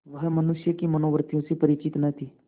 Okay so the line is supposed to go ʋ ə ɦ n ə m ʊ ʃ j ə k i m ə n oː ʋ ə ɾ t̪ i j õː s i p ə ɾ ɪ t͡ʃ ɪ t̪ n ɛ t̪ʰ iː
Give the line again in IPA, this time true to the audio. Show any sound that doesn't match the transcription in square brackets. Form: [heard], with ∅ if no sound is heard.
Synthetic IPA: ʋ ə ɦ [m] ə [n] ʊ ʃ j ə k i m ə n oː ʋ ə ɾ t̪ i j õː s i p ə ɾ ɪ t͡ʃ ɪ t̪ n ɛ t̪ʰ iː